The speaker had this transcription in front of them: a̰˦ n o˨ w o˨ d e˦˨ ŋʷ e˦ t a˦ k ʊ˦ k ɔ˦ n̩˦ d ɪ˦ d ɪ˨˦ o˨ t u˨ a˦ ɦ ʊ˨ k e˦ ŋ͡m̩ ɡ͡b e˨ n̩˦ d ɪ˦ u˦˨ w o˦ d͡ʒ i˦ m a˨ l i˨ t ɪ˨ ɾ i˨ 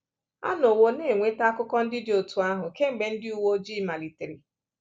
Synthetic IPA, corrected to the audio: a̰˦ n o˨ w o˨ n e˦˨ ŋʷ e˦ t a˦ k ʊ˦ k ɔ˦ n̩˦ d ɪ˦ d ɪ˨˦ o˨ t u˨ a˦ ɦ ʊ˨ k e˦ ŋ͡m̩ ɡ͡b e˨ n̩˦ d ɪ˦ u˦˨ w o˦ d͡ʒ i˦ m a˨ l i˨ t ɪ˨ ɾ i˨